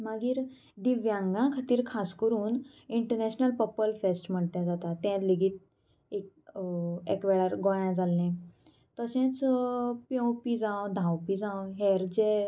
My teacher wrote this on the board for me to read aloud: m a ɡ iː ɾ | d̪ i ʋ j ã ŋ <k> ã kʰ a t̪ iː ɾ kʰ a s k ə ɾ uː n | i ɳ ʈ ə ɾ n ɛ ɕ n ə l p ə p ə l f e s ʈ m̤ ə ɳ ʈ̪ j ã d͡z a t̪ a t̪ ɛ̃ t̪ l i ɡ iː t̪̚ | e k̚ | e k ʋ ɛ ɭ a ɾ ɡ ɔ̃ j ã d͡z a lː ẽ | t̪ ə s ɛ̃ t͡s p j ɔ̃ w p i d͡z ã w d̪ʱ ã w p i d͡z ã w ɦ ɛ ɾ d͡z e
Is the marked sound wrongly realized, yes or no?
yes